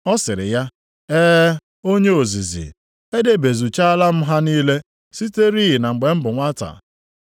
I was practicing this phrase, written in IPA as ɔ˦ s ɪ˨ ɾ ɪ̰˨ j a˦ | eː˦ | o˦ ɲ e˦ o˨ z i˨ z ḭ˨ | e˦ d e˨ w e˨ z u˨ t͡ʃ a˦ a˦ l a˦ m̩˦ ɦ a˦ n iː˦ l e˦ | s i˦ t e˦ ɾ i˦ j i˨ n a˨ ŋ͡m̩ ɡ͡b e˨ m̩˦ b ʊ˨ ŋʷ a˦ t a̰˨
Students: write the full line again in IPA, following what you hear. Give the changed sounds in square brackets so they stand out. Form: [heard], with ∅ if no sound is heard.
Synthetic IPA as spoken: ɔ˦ s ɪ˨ ɾ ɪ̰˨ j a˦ | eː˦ | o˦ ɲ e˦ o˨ z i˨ z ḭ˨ | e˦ d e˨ [b] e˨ z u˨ t͡ʃ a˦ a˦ l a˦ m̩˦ ɦ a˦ n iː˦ l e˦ | s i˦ t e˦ ɾ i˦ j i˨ n a˨ ŋ͡m̩ ɡ͡b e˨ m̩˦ b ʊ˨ ŋʷ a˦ t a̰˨